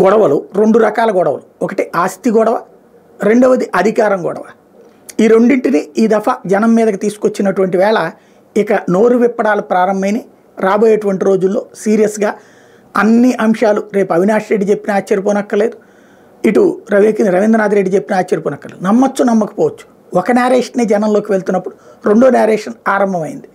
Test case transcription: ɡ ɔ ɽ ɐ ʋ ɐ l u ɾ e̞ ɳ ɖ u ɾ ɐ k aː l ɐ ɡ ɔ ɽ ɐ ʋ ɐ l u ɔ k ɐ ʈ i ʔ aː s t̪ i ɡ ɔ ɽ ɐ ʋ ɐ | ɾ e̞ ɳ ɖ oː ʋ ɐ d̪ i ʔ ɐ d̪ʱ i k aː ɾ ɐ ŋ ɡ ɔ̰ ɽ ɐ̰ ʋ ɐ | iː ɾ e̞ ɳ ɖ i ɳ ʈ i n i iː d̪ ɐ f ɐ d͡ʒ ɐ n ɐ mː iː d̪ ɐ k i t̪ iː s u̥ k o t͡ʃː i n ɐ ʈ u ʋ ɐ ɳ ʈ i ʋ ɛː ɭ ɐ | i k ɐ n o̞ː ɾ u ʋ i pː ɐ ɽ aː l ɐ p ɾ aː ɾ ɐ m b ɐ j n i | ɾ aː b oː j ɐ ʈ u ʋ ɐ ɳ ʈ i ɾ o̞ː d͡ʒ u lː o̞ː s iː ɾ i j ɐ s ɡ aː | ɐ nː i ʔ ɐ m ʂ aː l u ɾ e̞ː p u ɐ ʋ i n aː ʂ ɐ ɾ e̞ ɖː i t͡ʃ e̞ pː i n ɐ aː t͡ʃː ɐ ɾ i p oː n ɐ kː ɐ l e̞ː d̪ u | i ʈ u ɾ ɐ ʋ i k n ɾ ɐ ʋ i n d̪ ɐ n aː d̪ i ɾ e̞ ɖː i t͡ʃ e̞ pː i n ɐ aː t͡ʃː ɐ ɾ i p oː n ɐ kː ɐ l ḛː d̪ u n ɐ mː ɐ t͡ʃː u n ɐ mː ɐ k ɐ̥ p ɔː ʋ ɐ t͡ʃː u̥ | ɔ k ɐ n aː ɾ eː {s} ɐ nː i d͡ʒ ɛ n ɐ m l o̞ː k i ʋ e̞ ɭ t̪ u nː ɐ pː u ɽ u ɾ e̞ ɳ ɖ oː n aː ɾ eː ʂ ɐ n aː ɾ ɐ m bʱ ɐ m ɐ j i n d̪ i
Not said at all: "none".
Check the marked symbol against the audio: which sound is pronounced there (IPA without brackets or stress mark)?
ʂ